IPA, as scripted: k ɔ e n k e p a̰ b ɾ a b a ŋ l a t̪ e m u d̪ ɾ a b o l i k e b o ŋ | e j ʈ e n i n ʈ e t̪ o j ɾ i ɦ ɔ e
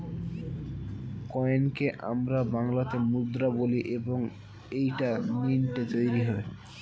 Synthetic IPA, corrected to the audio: k ɔ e n k e ʔ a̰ m ɾ a b a ŋ l a t̪ e m u d̪ ɾ a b o l i ʔ e b o ŋ | e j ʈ a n i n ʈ e t̪ o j ɾ i ɦ ɔ e